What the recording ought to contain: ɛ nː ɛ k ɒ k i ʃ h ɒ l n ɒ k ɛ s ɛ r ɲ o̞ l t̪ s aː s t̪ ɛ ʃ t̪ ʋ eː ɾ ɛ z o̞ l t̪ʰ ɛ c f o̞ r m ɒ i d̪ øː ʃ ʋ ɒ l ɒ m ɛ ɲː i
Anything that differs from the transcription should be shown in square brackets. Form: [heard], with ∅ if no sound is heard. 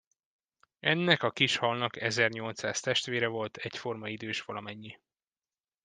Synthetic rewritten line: ɛ nː ɛ k ɒ k i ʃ h ɒ l n ɒ k ɛ [z] ɛ r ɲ o̞ l t̪ s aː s t̪ ɛ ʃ t̪ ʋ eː ɾ ɛ [v] o̞ l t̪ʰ ɛ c f o̞ r m ɒ i d̪ øː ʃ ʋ ɒ l ɒ m ɛ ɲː i